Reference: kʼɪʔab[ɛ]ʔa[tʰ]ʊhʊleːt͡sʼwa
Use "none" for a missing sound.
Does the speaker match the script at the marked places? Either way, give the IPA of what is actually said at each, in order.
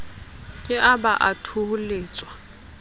a, tʰ

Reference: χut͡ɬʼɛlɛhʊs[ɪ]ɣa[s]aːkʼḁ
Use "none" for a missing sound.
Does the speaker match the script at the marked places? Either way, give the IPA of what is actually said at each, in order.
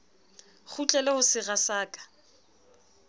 ɪ, s

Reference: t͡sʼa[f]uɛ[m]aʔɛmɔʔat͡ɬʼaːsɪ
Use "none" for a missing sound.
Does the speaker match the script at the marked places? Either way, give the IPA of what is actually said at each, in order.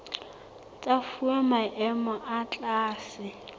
f, m

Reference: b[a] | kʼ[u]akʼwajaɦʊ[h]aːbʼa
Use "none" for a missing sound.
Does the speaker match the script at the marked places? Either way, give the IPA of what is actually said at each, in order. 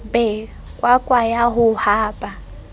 ɛ, w, h

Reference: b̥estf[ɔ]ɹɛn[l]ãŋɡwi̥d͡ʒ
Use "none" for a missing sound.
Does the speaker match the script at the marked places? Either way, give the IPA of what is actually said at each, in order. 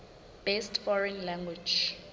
ɔ, l

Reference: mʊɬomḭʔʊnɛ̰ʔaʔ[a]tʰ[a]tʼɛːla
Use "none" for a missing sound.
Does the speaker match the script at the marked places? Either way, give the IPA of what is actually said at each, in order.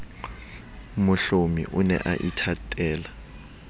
i, a

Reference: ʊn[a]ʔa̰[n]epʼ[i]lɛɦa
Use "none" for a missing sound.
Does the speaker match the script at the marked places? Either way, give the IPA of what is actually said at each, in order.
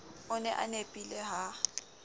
ɛ, n, i

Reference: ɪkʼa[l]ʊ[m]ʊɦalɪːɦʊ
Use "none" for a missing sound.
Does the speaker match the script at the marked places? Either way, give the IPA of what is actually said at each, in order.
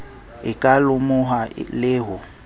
l, m

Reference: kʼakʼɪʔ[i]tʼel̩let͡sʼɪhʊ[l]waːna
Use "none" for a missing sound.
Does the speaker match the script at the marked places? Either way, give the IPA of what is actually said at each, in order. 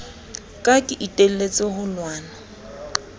i, l

